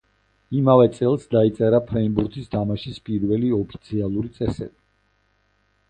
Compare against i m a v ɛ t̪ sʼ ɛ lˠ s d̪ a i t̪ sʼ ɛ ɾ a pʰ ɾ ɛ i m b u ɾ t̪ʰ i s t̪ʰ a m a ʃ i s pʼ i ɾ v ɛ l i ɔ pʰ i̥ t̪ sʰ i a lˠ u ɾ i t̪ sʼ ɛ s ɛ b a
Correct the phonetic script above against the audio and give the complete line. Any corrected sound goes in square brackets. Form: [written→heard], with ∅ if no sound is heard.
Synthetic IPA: i m a v ɛ t̪ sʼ ɛ lˠ s d̪ a i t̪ sʼ ɛ ɾ a pʰ ɾ ɛ i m b u ɾ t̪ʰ i s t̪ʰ a m a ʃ i s pʼ i ɾ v ɛ l i ɔ pʰ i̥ t̪ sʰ i a lˠ u ɾ i t̪ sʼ ɛ s ɛ b [a→i]